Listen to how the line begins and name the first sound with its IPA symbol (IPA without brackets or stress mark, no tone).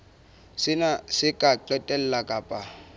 s